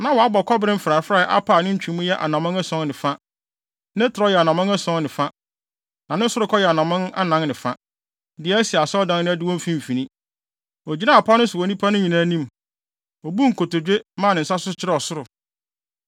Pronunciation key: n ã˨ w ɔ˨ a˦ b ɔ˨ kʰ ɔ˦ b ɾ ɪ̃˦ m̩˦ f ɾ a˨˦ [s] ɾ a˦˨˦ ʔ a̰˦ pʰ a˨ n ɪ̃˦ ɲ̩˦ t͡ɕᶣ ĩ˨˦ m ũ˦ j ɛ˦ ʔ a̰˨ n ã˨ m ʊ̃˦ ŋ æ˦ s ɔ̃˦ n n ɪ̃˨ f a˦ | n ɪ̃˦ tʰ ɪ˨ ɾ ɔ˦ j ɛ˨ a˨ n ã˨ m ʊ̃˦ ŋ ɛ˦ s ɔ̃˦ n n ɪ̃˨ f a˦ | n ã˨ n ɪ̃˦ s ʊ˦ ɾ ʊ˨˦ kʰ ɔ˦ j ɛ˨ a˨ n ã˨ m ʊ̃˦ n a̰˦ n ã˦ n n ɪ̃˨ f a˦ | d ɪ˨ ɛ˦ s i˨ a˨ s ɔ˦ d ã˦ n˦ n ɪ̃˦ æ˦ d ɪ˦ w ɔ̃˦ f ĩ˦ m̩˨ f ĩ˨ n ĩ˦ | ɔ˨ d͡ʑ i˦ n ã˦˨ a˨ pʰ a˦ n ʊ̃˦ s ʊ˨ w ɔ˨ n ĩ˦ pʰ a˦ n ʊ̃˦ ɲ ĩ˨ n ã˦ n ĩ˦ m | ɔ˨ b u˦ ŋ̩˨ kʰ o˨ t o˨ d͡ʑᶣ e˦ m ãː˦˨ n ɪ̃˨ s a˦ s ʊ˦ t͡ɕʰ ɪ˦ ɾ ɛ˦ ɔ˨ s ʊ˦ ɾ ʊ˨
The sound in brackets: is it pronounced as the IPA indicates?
no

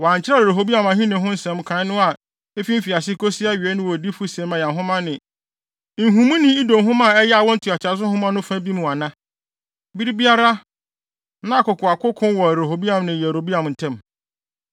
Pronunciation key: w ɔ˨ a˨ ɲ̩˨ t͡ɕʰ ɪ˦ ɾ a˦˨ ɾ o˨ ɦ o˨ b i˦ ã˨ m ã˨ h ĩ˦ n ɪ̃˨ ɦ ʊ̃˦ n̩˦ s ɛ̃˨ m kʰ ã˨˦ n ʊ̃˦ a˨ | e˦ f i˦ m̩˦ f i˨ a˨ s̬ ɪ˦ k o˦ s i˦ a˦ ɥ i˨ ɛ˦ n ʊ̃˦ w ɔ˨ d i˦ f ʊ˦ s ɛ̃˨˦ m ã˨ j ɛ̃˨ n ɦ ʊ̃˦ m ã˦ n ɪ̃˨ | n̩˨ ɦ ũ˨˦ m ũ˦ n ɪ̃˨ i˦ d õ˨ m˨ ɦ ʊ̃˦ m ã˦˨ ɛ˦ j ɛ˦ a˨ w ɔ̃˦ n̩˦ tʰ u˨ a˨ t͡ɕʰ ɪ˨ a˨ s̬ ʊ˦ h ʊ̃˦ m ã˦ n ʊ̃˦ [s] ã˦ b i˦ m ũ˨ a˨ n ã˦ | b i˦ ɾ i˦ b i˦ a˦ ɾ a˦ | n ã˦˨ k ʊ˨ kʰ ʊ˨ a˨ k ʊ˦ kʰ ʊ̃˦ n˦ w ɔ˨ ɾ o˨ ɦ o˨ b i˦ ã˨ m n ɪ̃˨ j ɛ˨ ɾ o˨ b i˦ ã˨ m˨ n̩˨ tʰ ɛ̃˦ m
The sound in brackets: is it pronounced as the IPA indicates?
no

